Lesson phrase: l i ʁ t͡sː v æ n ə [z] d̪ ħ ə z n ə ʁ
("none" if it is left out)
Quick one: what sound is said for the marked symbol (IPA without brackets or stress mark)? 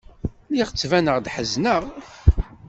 ʁ